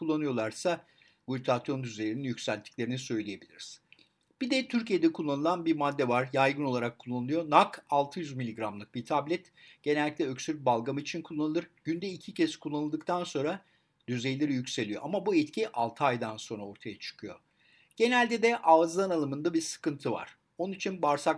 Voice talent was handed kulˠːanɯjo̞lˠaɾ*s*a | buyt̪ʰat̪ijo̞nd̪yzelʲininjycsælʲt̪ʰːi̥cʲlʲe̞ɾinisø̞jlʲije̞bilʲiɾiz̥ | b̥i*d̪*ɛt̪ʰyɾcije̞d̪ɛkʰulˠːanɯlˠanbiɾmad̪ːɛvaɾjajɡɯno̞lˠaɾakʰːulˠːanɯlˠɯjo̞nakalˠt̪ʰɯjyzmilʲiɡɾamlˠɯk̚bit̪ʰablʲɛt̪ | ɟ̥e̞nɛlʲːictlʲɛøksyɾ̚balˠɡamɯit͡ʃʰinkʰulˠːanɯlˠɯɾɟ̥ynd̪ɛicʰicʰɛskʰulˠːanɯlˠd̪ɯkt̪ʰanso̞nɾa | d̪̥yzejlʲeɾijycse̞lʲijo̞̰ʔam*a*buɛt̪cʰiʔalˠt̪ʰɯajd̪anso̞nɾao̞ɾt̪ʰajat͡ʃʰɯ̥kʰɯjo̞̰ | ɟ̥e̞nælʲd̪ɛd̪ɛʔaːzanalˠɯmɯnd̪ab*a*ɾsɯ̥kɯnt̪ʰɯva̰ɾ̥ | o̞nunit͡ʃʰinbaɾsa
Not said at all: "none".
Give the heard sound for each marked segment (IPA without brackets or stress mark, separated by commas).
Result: s, d̪, a, i